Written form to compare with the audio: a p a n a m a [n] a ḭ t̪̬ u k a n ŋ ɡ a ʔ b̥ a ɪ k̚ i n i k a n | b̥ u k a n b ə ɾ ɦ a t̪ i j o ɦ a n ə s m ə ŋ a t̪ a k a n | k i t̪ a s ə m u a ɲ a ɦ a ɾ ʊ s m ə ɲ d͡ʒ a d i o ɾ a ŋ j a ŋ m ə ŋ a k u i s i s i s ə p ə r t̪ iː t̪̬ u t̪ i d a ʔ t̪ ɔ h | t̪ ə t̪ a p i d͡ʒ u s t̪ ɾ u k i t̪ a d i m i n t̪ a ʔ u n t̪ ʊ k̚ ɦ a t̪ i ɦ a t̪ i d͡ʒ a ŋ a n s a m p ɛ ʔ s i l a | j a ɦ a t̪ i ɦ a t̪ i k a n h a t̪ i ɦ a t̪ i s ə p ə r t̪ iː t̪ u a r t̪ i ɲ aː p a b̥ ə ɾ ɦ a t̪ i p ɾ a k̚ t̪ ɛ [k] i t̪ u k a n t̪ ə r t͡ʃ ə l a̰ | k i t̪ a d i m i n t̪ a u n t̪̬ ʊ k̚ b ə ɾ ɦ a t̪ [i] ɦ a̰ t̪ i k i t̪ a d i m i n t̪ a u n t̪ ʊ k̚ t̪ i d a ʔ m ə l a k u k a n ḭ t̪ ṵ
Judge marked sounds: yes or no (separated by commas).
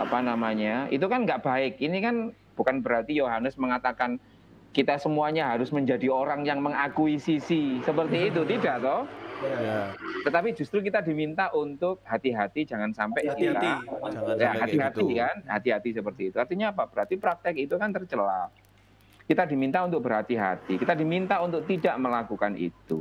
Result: no, yes, yes